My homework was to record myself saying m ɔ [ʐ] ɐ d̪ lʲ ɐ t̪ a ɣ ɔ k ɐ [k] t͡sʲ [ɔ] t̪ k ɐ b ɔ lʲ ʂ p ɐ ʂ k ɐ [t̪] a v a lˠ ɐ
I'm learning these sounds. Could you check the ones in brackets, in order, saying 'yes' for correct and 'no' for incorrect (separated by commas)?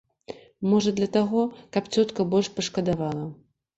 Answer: yes, no, yes, no